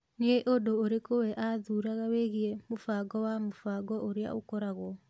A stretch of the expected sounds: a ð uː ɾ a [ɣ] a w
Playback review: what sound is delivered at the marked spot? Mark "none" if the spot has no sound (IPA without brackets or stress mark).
ɣ